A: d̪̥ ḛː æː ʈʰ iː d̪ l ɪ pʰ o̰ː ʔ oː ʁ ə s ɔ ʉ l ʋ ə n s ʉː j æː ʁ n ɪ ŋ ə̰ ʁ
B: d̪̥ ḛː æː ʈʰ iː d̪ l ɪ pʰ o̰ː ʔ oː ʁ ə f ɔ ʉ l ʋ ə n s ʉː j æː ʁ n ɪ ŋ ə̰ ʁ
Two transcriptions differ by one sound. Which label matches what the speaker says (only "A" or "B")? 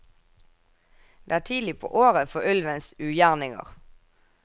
B